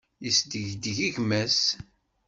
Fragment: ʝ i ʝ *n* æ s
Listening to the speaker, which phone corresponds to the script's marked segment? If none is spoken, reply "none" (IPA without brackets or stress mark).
m